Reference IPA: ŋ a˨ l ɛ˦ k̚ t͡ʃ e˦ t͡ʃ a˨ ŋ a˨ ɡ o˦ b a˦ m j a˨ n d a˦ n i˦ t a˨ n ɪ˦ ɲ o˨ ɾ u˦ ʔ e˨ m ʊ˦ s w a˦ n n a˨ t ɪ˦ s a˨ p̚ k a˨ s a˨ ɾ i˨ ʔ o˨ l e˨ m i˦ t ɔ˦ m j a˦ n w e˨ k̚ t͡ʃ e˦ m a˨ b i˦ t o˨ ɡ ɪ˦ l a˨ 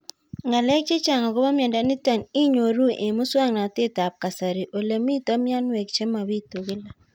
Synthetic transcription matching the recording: ŋ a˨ l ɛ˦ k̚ t͡ʃ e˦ t͡ʃ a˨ ŋ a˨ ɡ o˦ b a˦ m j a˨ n d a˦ n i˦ t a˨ n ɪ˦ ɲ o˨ ɾ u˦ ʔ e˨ m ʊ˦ s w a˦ ŋ n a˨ t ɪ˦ t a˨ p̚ k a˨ s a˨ ɾ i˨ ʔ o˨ l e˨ m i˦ t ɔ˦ m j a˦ n w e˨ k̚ t͡ʃ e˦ m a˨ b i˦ t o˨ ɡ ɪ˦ l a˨